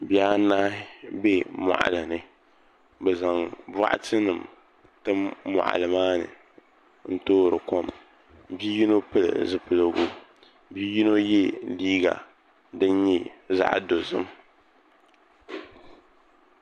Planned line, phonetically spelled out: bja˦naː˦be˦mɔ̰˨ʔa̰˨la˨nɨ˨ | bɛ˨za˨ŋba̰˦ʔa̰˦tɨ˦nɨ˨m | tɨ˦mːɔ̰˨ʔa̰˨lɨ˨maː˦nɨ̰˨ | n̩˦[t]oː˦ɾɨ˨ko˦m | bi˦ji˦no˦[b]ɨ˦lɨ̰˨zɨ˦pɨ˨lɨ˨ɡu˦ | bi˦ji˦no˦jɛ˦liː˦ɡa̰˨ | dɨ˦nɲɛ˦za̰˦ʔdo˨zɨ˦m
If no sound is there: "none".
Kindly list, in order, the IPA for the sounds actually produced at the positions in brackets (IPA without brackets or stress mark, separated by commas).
t, p